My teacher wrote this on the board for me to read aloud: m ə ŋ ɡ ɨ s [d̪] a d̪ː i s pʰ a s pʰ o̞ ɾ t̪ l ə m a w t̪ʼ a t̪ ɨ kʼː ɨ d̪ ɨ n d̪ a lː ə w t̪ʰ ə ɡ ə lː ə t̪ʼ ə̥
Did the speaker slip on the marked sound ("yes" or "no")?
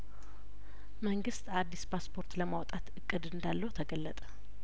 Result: yes